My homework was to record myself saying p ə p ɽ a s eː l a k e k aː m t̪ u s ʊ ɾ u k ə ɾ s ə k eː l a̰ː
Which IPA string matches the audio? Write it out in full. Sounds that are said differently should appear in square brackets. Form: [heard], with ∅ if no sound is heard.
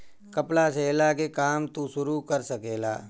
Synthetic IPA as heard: [k] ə p [l] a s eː l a k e k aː m t̪ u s ʊ ɾ u k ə ɾ s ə k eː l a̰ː